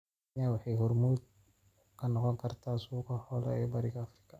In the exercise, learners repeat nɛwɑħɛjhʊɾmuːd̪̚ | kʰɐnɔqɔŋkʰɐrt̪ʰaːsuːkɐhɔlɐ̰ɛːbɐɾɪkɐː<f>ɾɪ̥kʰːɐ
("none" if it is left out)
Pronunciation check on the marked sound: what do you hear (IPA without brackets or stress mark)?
f